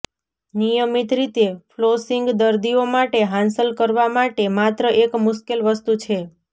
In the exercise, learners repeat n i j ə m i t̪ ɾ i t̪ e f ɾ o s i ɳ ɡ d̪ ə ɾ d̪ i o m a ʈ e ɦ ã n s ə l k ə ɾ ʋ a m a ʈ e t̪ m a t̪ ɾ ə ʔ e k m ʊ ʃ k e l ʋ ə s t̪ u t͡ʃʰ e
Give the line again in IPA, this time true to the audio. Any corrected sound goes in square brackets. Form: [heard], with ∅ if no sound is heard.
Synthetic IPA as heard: n i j ə m i t̪ ɾ i t̪ e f [l] o s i [ŋ] ɡ d̪ ə ɾ d̪ i o m a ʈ e ɦ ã n s ə l k ə ɾ ʋ a m a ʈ e [∅] m a t̪ ɾ ə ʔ e k m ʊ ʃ k e l ʋ ə s t̪ u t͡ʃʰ e

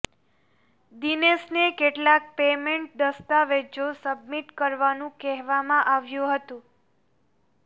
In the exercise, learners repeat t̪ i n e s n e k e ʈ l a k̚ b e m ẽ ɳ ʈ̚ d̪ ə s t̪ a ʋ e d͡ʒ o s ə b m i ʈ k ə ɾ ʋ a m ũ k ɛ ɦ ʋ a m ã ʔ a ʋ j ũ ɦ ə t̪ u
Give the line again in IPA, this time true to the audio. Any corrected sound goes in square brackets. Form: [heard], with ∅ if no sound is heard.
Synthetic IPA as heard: [d̪] i n e s n e k e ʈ l a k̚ [p] e m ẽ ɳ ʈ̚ d̪ ə s t̪ a ʋ e d͡ʒ o s ə b m i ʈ k ə ɾ ʋ a [n] ũ k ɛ ɦ ʋ a m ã ʔ a ʋ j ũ ɦ ə t̪ [ũ]

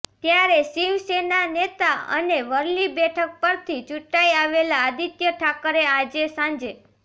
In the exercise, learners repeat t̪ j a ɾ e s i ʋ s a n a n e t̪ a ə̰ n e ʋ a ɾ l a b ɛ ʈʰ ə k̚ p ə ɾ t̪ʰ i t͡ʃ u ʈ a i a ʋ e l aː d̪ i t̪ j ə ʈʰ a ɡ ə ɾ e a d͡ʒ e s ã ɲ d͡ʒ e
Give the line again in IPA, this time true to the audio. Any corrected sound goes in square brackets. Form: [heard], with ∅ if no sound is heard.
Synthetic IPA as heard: t̪ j a ɾ e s i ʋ s [e] n a n e t̪ a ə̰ n e ʋ [ə] ɾ l [i] b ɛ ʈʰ ə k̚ p ə ɾ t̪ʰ i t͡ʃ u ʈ a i a ʋ e l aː d̪ i t̪ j ə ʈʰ a [k] ə ɾ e a d͡ʒ e s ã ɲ d͡ʒ e

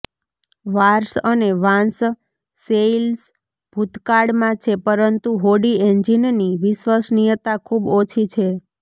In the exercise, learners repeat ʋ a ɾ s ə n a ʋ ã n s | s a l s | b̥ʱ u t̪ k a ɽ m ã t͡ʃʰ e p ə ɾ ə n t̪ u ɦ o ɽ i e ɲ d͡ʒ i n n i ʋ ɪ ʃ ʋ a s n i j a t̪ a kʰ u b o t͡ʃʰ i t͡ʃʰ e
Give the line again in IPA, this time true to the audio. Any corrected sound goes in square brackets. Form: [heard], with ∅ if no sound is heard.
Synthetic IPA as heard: ʋ a ɾ s ə n [e] ʋ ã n s | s [e] l s | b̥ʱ u t̪ k a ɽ m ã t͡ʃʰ e p ə ɾ ə n t̪ u ɦ o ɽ i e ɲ d͡ʒ i n n i ʋ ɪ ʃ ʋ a s n i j [ə] t̪ a kʰ u b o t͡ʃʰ i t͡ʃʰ e

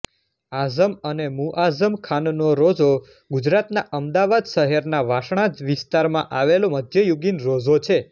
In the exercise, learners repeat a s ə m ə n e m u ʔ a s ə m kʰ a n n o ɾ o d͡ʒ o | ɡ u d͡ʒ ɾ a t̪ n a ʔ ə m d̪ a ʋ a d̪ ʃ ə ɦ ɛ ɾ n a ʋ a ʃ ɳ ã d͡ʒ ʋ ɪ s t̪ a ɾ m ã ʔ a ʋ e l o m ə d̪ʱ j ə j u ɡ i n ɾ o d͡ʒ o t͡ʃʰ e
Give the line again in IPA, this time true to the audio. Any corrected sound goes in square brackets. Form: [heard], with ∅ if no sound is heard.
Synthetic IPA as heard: a [z] ə m ə n e m u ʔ a [z] ə m kʰ a n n o ɾ o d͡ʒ o | ɡ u d͡ʒ ɾ a t̪ n a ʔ ə m d̪ a ʋ a d̪ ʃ ə ɦ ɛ ɾ n a ʋ a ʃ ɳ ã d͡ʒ ʋ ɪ s t̪ a ɾ m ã ʔ a ʋ e l o m ə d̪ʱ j ə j u ɡ i n ɾ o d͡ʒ o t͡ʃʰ e

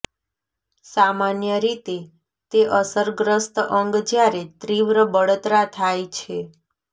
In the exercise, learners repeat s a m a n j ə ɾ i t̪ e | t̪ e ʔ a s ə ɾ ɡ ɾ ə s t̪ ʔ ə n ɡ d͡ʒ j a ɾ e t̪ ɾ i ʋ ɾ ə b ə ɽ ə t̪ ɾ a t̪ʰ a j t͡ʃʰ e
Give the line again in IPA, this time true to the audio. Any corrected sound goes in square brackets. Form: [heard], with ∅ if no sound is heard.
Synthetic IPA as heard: s a m a n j ə ɾ i t̪ e | t̪ e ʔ [ə] s ə ɾ ɡ ɾ ə s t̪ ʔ ə [ŋ] ɡ d͡ʒ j a ɾ e t̪ ɾ i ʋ ɾ ə b ə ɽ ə t̪ ɾ a t̪ʰ a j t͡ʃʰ e

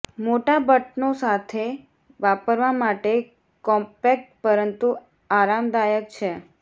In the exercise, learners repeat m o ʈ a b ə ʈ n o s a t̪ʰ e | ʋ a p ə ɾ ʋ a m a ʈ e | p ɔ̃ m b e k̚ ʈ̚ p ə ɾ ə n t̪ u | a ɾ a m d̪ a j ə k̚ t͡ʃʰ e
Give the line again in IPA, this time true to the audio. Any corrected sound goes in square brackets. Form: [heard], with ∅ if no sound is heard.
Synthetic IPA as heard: m o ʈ a b ə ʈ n o s a t̪ʰ e | ʋ a p ə ɾ ʋ a m a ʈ e | [k] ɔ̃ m [p] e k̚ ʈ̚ p ə ɾ ə n t̪ u | a ɾ a m d̪ a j ə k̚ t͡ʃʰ e

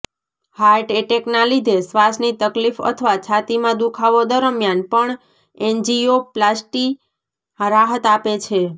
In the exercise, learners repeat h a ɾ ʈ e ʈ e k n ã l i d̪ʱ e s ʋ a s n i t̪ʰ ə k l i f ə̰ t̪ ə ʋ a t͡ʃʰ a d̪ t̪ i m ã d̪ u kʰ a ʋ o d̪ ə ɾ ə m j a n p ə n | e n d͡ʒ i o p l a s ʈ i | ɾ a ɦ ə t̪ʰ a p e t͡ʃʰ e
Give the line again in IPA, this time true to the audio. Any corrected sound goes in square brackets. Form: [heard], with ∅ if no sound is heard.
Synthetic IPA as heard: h a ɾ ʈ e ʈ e k n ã l i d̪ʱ e s ʋ a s n i [t̪] ə k l i f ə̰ [t̪ʰ] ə ʋ a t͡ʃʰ a [∅] t̪ i m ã d̪ u kʰ a ʋ o d̪ ə ɾ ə m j a n p ə [ɳ] | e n d͡ʒ i o p l a s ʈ i | ɾ a ɦ ə [t̪] a p e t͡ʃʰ e

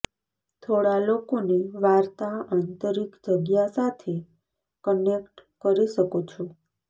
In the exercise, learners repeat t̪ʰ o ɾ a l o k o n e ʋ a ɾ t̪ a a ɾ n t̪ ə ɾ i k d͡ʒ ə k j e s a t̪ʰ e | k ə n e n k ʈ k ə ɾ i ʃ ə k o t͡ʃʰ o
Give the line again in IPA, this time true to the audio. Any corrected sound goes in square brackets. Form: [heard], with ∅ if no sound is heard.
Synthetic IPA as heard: t̪ʰ o [ɽ] a l o k o n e ʋ a ɾ t̪ a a [∅] n t̪ ə ɾ i k d͡ʒ ə [ɡ] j [a] s a t̪ʰ e | k ə n e [∅] k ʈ k ə ɾ i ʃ ə k o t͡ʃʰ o

